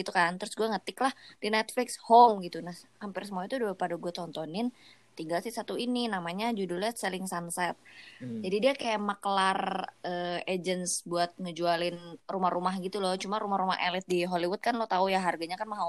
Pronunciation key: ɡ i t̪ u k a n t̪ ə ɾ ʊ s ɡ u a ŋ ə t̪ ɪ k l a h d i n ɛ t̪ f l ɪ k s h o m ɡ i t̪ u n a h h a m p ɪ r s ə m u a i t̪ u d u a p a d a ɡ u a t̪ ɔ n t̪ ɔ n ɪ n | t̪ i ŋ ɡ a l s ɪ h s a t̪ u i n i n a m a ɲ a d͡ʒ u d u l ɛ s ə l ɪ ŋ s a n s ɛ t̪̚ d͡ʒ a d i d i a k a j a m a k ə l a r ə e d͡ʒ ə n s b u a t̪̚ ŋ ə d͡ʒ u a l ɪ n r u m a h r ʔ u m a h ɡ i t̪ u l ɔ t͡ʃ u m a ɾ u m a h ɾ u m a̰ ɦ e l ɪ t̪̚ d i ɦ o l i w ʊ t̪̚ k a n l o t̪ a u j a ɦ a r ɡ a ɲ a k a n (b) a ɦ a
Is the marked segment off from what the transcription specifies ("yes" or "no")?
yes